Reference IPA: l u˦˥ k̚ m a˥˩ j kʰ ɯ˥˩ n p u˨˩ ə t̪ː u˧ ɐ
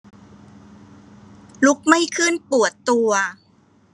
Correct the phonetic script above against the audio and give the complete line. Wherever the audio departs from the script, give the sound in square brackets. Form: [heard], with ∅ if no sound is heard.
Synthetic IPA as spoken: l u˦˥ k̚ m a˥˩ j kʰ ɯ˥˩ n p u˨˩ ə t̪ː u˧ ɐ

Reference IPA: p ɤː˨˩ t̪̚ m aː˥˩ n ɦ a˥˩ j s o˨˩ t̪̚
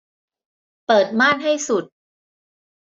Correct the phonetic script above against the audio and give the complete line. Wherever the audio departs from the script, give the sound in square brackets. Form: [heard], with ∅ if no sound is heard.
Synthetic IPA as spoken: p ɤː˨˩ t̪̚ m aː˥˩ n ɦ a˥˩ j s [u˨˩] t̪̚

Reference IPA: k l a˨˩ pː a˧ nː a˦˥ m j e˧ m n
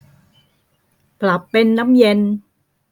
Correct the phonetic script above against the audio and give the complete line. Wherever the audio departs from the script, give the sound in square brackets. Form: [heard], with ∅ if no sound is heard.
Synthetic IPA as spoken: [p] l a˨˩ pː [e˧] nː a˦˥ m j e˧ [∅] n

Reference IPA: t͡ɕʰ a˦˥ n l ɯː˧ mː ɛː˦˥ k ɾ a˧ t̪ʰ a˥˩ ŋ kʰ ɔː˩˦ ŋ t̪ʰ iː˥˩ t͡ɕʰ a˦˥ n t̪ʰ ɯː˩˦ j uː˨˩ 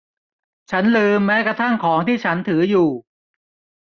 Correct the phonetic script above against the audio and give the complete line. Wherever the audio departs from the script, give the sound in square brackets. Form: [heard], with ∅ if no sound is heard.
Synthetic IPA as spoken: t͡ɕʰ a˦˥ n l ɯː˧ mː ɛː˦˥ k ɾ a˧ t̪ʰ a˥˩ ŋ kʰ ɔː˩˦ ŋ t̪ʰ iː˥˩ t͡ɕʰ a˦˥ n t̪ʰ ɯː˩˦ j uː˨˩

